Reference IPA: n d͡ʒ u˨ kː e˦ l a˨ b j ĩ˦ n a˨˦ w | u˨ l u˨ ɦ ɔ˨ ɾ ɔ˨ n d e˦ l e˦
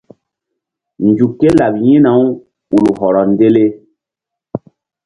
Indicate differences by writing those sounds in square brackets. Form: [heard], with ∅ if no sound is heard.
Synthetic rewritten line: n d͡ʒ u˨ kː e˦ l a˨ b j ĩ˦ n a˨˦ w | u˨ l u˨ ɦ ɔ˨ ɾ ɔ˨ n d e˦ l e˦